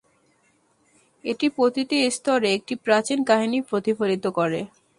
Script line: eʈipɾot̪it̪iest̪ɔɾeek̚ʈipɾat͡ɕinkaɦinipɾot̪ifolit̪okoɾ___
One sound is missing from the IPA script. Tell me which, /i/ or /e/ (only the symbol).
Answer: e